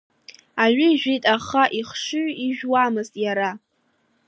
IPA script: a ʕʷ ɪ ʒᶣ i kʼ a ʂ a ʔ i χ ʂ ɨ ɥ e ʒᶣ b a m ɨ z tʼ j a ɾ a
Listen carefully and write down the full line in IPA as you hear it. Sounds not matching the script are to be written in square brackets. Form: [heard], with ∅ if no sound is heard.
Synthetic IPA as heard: a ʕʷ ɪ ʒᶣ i [tʼ] a [χ] a ʔ i χ ʂ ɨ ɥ [i] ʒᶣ [w] a m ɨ z tʼ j a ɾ a